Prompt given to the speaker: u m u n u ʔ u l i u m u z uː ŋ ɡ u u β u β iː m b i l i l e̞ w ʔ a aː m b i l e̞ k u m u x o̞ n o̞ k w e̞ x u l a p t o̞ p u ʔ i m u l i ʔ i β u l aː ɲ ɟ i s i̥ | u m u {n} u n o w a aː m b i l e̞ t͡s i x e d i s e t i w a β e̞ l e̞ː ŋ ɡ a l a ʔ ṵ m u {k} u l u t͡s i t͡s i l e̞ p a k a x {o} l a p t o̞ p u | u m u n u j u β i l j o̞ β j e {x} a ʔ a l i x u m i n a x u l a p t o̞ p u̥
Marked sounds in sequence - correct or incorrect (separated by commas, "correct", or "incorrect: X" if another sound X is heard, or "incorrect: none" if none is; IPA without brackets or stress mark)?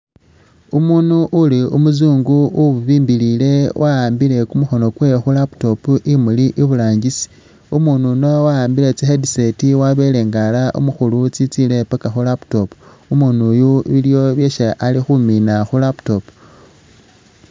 correct, incorrect: x, incorrect: u, incorrect: ʃ